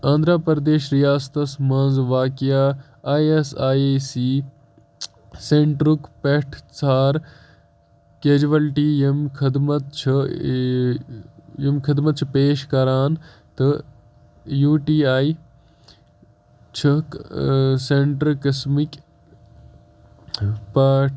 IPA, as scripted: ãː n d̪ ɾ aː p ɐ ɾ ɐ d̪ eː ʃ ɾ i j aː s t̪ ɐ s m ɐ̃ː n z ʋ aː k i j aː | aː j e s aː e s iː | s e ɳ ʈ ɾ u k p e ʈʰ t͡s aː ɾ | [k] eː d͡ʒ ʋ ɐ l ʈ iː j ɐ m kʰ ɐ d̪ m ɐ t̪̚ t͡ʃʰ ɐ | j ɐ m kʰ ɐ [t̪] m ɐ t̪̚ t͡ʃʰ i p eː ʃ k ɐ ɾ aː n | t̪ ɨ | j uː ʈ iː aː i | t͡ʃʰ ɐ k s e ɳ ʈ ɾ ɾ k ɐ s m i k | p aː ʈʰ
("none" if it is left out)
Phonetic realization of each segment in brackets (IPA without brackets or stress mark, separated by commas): k, d̪